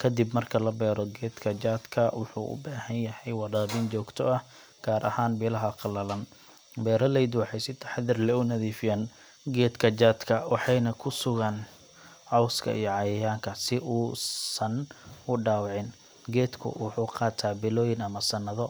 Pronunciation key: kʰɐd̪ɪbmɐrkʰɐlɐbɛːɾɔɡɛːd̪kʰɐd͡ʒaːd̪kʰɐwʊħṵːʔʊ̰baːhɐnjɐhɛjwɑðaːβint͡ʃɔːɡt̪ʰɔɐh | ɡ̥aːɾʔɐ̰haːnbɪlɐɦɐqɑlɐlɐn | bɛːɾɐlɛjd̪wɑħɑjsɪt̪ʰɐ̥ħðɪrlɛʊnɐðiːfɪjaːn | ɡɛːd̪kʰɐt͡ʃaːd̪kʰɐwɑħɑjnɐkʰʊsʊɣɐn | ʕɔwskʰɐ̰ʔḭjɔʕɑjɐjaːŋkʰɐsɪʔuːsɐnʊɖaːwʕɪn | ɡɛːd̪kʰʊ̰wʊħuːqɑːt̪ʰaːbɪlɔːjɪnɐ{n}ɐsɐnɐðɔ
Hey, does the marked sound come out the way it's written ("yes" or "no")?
no